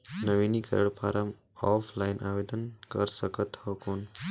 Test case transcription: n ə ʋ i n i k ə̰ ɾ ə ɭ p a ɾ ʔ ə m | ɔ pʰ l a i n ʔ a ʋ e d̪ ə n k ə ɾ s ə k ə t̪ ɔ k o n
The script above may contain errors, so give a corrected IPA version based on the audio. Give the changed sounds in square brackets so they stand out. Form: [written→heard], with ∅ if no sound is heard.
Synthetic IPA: n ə ʋ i n i k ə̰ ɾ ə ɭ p a ɾ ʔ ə m | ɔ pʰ l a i n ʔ a ʋ e d̪ ə n k ə ɾ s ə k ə t̪ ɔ k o n